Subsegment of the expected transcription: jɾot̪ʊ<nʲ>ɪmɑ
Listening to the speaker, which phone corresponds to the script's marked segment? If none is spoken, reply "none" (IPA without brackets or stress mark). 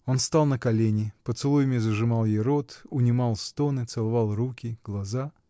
nʲ